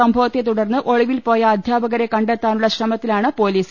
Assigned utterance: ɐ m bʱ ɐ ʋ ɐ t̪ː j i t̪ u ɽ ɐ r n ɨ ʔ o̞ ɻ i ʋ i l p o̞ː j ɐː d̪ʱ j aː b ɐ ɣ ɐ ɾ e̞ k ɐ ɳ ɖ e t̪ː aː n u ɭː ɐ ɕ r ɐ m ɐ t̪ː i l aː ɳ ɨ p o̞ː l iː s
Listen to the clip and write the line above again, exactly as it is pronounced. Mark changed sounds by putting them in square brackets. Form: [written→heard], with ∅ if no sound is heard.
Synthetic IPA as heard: ɐ m bʱ ɐ ʋ ɐ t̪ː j [i→e] t̪ u ɽ ɐ r [n→nː] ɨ ʔ o̞ ɻ i ʋ i l p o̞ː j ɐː d̪ʱ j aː b ɐ ɣ ɐ ɾ e̞ k ɐ ɳ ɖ e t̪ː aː n u ɭː ɐ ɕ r ɐ m ɐ t̪ː i l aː ɳ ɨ p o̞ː l iː s